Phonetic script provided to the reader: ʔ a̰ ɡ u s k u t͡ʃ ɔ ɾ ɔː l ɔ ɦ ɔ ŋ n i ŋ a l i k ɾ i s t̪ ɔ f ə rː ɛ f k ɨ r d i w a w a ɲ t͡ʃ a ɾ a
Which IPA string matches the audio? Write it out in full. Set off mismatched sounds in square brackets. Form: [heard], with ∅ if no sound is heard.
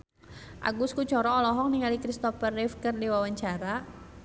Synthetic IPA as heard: ʔ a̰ ɡ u s k u t͡ʃ ɔ ɾ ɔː l ɔ ɦ ɔ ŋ n i ŋ a l i k ɾ i s t̪ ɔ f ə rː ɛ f k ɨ r d i w a w a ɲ t͡ʃ a ɾ a